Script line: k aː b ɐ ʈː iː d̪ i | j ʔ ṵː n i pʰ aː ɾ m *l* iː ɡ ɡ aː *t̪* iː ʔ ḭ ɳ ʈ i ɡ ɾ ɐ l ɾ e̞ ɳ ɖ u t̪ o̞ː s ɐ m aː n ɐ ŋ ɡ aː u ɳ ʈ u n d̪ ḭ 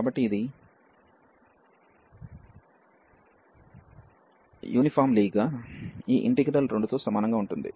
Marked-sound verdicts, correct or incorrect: correct, incorrect

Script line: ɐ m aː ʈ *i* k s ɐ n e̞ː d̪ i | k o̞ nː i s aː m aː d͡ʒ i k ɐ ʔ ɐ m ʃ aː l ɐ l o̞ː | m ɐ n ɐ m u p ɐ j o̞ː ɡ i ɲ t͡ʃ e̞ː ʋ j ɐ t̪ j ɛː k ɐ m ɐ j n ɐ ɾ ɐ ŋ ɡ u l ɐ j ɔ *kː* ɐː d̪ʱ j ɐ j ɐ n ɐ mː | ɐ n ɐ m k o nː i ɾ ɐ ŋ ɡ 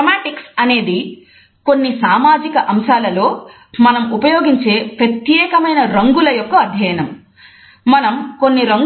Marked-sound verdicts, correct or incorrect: correct, correct

